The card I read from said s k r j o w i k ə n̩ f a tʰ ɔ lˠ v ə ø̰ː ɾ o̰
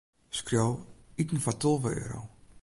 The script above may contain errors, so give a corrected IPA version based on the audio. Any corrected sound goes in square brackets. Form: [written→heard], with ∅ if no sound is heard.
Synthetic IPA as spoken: s k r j o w i [k→t] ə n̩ f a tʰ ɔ lˠ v ə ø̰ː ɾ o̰